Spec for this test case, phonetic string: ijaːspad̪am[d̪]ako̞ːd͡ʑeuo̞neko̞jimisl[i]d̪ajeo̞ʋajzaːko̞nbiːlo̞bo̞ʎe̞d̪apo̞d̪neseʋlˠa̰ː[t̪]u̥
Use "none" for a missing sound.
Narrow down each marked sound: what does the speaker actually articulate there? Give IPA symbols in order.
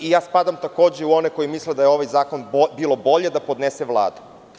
t̪, e, d̪

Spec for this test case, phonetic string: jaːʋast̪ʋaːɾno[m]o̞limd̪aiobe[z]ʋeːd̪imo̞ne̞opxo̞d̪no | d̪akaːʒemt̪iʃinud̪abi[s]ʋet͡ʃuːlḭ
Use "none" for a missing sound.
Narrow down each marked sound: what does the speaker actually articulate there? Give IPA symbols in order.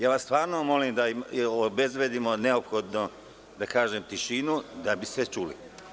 m, z, s

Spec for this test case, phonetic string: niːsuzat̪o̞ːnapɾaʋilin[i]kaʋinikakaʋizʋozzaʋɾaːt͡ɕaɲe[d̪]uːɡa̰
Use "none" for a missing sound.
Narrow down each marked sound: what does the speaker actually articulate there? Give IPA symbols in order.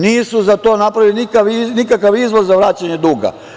i, d̪

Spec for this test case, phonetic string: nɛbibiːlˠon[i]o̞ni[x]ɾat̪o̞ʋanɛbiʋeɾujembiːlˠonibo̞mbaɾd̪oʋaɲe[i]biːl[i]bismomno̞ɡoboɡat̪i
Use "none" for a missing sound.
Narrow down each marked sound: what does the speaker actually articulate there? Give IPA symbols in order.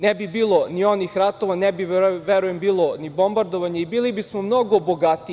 i, x, i, i

